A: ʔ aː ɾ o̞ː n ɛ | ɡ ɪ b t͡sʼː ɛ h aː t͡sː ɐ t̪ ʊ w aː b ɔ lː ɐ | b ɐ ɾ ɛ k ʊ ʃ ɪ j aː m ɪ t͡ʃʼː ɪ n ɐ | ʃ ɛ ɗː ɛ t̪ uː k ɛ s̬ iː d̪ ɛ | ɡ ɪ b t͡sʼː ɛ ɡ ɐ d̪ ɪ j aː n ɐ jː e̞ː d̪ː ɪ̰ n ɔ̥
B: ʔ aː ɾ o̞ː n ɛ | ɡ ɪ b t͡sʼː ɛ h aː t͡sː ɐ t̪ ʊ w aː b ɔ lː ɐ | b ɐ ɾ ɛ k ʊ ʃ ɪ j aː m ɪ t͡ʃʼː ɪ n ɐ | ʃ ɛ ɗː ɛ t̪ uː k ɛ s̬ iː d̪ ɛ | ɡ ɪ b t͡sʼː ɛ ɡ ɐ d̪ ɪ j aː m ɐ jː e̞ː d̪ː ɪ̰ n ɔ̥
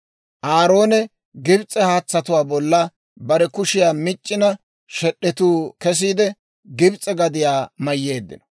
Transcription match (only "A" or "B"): B